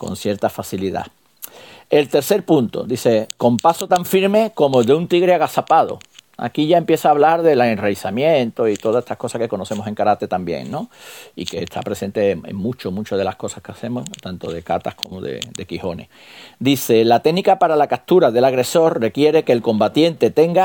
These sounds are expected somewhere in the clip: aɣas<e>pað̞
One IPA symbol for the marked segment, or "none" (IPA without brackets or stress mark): a